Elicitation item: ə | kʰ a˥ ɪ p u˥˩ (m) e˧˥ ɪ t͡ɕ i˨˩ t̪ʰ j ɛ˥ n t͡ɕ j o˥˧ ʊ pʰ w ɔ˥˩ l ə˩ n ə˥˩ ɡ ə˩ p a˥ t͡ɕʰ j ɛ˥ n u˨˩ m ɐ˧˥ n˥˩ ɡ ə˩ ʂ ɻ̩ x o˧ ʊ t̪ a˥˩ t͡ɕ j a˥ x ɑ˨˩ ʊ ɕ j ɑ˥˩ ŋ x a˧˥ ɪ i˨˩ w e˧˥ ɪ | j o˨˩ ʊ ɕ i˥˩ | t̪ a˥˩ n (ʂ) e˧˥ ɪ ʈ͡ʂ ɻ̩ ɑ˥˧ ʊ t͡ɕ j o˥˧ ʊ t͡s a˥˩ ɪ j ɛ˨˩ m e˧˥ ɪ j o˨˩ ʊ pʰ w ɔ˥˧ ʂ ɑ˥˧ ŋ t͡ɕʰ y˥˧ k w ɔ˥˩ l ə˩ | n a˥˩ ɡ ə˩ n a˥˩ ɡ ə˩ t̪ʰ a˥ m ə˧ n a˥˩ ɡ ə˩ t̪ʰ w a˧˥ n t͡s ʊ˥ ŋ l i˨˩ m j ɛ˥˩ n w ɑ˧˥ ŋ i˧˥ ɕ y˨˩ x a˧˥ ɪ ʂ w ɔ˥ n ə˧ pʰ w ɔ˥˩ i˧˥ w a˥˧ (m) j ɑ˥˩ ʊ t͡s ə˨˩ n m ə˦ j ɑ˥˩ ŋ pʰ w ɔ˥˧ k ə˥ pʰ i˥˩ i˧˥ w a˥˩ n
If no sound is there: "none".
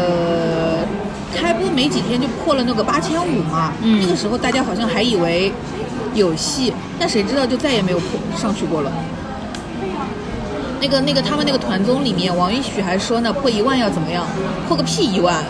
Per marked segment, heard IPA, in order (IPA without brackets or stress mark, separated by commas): m, ʂ, n